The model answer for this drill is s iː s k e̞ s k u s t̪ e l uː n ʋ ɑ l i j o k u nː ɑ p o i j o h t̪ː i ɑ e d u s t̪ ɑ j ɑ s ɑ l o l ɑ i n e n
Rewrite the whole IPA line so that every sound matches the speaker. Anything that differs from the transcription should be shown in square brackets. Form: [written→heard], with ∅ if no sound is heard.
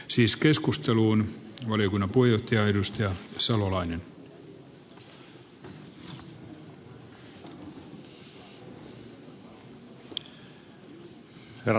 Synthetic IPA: s iː s k e̞ s k u s t̪ e l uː n ʋ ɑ l i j o k u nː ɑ p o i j o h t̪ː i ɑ e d u s t̪ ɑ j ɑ s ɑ l o l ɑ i n e n